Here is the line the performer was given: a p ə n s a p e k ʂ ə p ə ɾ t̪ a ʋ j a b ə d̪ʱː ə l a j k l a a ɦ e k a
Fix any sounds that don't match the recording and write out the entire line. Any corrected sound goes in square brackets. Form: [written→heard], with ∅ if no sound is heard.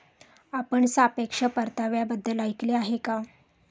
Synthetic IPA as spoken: a p ə [n→ɳ] s a p e k ʂ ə p ə ɾ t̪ a ʋ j a b ə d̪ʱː ə l a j k l [a→e] a ɦ e k a